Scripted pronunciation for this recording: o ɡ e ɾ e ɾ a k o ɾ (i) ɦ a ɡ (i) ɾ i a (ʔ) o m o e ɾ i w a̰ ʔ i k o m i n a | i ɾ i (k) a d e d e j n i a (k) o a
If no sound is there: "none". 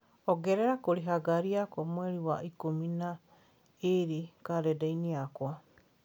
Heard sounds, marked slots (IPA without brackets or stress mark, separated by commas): i, a, k, k, k